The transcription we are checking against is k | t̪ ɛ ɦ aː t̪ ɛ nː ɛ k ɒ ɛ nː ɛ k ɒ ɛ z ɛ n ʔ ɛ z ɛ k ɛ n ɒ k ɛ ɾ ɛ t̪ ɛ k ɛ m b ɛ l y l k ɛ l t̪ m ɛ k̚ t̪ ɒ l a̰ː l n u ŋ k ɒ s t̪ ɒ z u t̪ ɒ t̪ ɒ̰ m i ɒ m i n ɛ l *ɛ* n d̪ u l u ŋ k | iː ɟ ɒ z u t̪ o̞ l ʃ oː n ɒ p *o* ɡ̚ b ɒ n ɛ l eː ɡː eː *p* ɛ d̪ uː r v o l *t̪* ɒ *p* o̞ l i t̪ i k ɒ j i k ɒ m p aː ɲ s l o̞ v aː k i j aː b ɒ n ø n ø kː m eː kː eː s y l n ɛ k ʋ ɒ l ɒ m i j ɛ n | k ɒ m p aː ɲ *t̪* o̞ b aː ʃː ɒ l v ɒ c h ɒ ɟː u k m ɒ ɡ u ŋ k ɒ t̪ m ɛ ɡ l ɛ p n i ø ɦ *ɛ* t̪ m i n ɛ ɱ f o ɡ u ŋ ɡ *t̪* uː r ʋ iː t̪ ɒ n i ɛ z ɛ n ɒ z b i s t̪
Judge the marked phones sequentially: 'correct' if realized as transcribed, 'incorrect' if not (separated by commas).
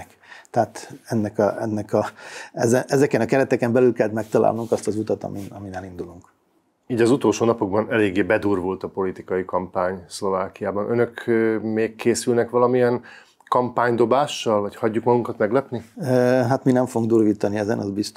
incorrect, correct, incorrect, correct, correct, incorrect, incorrect, incorrect